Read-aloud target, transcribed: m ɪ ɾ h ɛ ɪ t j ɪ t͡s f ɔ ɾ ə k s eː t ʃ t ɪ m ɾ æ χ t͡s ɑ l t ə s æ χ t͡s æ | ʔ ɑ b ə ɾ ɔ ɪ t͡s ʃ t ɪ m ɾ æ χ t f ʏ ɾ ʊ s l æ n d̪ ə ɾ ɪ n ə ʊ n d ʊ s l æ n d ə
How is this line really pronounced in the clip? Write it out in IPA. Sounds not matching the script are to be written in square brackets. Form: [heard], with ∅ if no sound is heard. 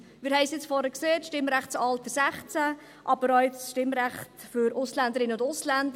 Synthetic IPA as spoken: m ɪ ɾ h ɛ ɪ [s] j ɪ t͡s f ɔ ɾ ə k s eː t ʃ t ɪ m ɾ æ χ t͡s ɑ l t ə s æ χ t͡s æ | ʔ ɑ b ə ɾ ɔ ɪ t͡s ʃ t ɪ m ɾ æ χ t f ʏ ɾ ʊ s l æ n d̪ ə ɾ ɪ n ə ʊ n d ʊ s l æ n d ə